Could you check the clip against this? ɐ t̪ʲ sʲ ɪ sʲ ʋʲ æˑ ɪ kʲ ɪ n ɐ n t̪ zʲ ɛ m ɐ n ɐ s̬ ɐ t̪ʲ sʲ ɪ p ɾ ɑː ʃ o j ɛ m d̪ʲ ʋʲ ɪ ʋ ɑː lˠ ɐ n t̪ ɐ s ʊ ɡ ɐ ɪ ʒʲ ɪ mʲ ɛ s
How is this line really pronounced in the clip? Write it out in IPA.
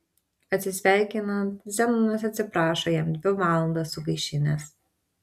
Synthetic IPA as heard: ɐ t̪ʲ sʲ ɪ sʲ ʋʲ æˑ ɪ kʲ ɪ n ɐ n t̪ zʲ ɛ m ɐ n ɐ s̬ ɐ t̪ʲ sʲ ɪ p ɾ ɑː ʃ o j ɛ m d̪ʲ ʋʲ ɪ ʋ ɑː lˠ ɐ n d̪ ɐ s ʊ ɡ ɐ ɪ ʃʲ ɪ nʲ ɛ s